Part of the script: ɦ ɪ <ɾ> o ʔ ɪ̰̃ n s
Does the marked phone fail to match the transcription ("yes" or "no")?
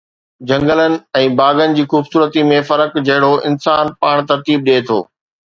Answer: yes